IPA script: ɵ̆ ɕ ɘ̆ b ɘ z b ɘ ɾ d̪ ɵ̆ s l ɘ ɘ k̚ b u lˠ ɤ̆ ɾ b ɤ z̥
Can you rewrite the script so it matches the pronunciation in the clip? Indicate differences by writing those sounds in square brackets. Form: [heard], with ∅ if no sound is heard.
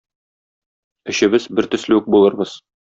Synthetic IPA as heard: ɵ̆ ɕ ɘ̆ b ɘ z b ɘ ɾ [t̪] ɵ̆ s l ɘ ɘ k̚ b u lˠ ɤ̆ ɾ b ɤ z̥